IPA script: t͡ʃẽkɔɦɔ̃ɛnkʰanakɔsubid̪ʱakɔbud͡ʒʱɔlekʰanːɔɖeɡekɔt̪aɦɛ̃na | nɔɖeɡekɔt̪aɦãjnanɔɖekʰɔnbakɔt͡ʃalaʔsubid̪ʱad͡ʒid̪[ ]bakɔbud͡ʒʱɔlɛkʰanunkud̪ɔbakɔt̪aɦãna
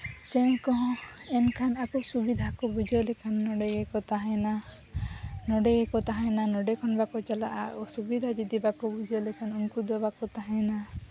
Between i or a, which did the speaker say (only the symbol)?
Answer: i